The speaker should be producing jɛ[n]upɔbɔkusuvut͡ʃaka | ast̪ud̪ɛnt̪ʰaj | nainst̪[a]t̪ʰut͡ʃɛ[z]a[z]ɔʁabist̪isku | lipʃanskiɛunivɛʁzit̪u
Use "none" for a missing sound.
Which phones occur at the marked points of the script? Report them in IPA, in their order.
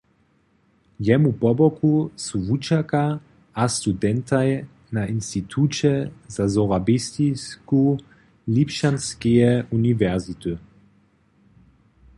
m, i, z, z

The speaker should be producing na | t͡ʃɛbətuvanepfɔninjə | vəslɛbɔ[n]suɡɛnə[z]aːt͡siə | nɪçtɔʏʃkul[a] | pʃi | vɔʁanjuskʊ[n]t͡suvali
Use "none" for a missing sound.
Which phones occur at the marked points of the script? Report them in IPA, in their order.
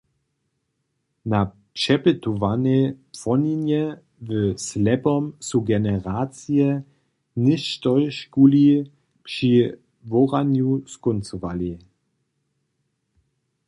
m, ʁ, i, n

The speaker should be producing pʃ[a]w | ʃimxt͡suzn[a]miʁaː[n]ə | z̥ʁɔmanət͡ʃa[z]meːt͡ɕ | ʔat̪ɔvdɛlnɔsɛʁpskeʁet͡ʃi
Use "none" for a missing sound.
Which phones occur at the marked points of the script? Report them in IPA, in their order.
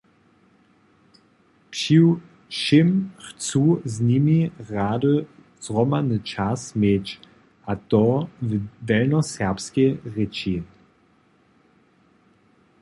i, i, d, s

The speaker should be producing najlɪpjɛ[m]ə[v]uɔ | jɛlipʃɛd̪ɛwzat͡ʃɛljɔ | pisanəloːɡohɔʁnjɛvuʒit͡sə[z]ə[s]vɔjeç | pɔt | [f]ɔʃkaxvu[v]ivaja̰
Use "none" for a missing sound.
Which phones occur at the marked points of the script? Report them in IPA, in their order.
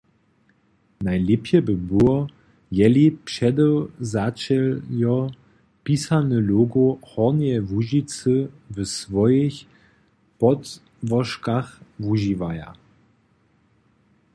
b, b, v, s, v, ʒ

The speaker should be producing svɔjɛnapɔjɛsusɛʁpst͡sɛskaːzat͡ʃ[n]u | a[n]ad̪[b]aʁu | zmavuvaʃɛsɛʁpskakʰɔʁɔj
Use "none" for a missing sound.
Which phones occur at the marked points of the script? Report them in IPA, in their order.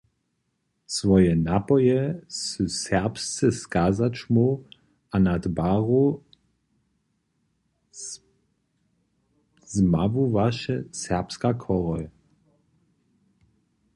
m, n, b

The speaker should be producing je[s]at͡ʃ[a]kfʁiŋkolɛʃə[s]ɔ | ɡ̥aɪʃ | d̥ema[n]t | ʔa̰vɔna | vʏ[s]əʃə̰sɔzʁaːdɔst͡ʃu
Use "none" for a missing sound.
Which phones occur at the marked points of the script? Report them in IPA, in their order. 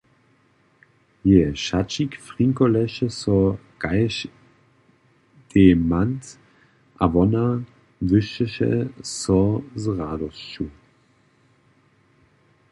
ʃ, i, s, n, ʃ

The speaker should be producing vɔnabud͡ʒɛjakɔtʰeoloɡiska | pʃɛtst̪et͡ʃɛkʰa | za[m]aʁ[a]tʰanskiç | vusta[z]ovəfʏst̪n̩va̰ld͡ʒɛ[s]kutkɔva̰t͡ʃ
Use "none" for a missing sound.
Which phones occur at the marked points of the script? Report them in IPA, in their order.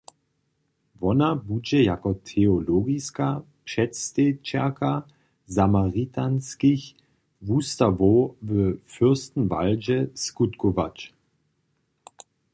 m, i, v, s

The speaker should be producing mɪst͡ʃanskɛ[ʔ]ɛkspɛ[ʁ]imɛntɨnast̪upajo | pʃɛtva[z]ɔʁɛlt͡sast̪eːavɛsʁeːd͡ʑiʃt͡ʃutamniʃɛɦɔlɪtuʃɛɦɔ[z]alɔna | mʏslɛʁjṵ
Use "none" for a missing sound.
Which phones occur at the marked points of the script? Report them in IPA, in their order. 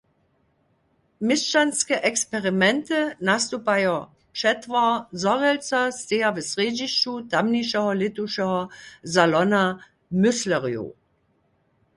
ʔ, ʁ, z, z

